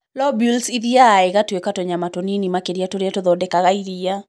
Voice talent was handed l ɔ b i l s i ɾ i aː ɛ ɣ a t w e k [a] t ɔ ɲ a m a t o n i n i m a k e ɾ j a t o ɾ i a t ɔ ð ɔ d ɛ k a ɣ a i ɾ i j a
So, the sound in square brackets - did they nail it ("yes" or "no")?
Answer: yes